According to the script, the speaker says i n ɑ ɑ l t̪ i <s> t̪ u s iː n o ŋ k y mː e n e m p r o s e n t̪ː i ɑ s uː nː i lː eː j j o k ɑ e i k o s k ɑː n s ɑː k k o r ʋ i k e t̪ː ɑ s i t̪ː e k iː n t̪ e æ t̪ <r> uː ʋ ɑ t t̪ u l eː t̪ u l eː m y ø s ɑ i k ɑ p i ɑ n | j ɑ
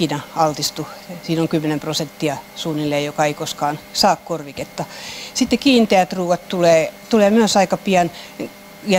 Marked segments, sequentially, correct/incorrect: correct, correct

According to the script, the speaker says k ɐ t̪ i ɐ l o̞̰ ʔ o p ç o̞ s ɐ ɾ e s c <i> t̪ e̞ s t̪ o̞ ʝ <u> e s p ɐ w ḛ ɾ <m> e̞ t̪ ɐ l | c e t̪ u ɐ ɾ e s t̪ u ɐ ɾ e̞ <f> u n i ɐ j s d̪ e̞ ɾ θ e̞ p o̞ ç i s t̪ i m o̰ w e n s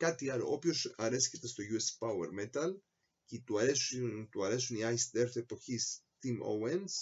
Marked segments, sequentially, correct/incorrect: incorrect, correct, correct, incorrect

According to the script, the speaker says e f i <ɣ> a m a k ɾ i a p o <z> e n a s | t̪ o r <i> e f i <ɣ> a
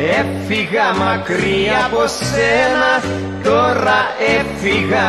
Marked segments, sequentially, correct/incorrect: correct, incorrect, incorrect, correct

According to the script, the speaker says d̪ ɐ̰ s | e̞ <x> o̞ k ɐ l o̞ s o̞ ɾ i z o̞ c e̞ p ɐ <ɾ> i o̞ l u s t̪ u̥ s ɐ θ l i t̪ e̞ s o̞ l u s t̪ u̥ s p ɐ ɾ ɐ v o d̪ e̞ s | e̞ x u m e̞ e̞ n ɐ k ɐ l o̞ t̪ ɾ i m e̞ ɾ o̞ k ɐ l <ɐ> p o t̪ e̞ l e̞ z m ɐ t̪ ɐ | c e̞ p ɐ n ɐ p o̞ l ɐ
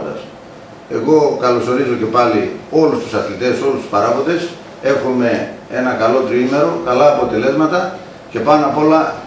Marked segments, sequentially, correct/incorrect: incorrect, incorrect, incorrect

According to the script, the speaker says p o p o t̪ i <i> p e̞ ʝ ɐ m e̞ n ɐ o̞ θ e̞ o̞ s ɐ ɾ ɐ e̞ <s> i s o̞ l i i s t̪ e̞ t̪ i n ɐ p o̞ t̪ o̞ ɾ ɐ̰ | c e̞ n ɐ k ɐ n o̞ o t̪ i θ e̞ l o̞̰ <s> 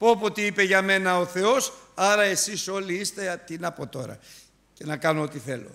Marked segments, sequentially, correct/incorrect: correct, correct, incorrect

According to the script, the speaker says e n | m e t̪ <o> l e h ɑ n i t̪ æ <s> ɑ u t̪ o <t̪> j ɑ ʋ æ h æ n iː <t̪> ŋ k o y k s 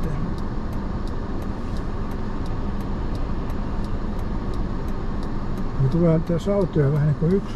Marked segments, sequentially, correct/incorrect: incorrect, correct, incorrect, incorrect

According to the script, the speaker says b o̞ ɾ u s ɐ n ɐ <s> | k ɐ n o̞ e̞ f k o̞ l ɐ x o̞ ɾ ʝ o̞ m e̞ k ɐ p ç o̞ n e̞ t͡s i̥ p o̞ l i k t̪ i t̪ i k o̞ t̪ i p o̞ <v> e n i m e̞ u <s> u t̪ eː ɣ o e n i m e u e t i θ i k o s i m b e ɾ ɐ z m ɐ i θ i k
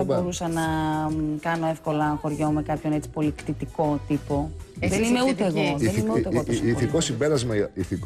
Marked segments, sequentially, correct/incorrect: incorrect, incorrect, incorrect

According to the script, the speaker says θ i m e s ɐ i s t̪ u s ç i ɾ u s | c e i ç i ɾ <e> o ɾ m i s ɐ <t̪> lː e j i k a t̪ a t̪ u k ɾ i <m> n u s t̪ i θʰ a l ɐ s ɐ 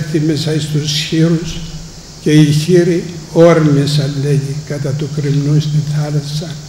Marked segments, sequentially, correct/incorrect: incorrect, incorrect, correct

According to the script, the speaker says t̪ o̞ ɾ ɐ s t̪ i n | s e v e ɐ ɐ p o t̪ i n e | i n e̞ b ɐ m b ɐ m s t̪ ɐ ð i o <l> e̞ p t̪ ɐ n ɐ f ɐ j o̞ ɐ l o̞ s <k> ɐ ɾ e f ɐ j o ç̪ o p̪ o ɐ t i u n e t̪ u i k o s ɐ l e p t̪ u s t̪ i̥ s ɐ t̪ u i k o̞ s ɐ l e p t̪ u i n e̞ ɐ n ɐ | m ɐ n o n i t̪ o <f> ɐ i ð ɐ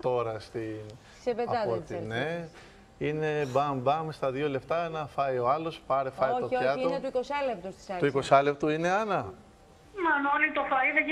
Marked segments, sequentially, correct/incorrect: correct, incorrect, correct

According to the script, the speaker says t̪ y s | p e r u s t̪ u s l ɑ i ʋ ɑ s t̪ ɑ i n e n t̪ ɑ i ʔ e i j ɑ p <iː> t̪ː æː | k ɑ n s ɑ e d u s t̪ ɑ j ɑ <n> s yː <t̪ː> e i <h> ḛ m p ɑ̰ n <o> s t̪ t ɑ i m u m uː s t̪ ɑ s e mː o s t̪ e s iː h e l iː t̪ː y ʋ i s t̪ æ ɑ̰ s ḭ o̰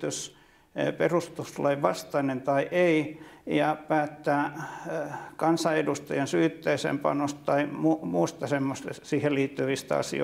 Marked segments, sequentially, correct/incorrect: incorrect, correct, correct, incorrect, correct

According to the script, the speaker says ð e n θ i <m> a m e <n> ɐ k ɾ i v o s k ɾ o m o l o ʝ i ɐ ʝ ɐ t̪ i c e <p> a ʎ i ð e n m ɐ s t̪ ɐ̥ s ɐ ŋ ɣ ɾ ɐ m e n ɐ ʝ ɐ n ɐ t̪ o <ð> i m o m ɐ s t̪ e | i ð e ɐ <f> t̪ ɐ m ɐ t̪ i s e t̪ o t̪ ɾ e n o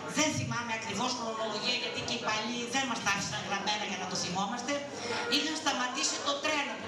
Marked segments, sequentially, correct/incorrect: correct, incorrect, correct, incorrect, incorrect

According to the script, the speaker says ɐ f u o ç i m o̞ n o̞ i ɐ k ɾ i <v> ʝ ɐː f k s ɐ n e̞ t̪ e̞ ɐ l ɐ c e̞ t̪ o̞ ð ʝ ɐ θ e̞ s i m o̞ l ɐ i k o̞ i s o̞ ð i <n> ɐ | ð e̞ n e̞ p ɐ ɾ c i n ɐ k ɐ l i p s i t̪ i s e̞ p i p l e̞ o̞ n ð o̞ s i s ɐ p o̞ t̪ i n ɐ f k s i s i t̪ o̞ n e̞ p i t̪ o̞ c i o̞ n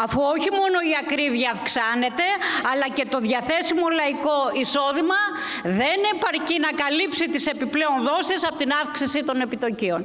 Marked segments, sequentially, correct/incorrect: correct, incorrect

